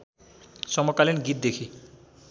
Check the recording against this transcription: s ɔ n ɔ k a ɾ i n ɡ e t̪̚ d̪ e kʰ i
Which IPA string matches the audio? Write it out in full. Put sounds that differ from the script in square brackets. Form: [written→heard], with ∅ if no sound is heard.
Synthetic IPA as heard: s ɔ [n→m] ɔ k a [ɾ→l] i n ɡ [e→i] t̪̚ d̪ e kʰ i